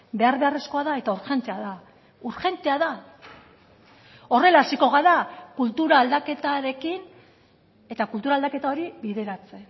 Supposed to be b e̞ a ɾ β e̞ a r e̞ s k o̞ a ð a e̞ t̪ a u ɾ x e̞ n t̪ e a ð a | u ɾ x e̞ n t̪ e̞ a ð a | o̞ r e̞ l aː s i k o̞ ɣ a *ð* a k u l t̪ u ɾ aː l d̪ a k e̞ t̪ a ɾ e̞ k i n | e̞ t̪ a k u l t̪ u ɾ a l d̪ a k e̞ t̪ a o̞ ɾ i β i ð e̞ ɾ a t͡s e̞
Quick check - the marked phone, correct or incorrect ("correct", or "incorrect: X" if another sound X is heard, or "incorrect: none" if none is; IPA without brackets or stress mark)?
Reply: correct